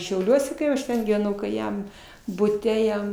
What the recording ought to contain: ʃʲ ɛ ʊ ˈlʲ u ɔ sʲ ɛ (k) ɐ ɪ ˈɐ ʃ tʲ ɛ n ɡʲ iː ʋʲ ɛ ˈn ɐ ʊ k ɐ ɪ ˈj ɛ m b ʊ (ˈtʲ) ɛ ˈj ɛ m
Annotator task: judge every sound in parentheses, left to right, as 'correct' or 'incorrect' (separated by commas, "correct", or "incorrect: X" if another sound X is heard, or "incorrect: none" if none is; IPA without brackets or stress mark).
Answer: correct, correct